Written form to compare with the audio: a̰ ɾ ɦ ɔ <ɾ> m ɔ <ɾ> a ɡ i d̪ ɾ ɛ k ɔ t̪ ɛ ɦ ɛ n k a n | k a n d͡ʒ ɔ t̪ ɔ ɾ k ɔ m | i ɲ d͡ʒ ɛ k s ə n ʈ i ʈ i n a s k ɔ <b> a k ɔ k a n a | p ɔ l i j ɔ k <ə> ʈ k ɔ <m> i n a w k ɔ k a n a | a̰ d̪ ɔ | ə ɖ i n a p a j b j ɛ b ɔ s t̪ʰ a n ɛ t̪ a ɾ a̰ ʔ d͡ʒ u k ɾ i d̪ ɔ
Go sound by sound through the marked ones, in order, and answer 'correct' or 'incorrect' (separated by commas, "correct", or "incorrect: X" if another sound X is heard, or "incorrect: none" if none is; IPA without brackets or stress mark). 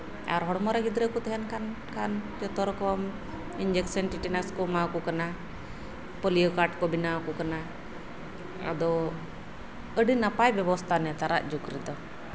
incorrect: ɽ, correct, incorrect: m, incorrect: a, incorrect: b